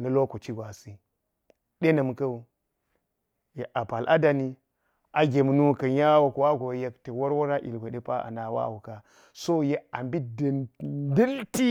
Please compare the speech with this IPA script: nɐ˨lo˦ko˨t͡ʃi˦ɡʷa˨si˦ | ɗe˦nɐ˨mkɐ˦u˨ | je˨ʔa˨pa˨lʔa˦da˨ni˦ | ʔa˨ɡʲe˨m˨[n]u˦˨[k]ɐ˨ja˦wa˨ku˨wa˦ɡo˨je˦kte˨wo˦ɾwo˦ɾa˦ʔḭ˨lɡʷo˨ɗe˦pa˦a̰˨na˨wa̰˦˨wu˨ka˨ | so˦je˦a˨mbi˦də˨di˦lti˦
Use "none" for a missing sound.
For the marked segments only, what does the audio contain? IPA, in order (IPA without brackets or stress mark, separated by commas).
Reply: n, k